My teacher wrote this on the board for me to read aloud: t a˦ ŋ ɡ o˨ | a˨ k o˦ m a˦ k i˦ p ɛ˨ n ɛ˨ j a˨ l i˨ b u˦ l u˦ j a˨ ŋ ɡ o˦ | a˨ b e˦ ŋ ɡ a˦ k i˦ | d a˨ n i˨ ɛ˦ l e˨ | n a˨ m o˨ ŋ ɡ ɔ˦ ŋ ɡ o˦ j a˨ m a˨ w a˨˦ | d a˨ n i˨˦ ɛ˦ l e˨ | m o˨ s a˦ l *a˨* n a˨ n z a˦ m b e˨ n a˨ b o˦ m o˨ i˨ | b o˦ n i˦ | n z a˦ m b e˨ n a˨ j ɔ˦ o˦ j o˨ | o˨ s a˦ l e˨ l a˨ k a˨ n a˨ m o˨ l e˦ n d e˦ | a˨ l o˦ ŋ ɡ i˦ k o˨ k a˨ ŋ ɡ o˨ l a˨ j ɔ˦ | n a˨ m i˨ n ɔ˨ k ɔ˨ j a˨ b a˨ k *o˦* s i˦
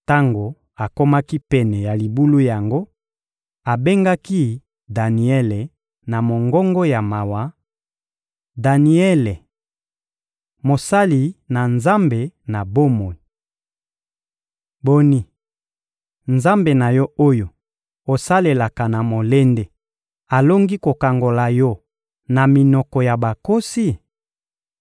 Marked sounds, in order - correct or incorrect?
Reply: incorrect, correct

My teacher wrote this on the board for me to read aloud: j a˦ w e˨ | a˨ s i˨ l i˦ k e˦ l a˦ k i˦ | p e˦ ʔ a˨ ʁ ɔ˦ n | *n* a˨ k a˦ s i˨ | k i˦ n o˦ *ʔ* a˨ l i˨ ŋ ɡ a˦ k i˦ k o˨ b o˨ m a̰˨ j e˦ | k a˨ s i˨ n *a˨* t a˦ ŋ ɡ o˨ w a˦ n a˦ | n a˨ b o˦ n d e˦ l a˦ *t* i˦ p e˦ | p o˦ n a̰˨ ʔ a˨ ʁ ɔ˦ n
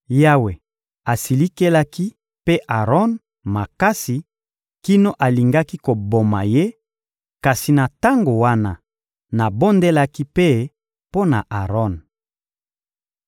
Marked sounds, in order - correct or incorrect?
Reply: incorrect, correct, correct, incorrect

